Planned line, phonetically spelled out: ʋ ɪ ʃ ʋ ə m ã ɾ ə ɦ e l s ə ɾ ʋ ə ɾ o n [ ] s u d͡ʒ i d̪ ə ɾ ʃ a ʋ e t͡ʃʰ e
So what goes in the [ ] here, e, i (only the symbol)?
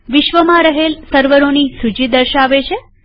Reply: i